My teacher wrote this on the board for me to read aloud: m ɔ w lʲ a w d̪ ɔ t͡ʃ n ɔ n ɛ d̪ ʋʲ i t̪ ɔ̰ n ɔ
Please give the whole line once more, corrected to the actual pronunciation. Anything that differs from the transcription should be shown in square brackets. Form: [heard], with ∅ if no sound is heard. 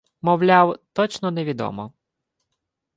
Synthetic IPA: m ɔ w lʲ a w [t̪] ɔ t͡ʃ n ɔ n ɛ [∅] ʋʲ i [d̪] ɔ̰ [m] ɔ